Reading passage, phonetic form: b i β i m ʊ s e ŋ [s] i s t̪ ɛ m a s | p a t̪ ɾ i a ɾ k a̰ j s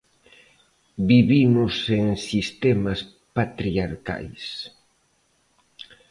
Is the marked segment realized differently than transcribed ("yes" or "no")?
no